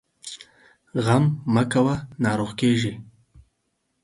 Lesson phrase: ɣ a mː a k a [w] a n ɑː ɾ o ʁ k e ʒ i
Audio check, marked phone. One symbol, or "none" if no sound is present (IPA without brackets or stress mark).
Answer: w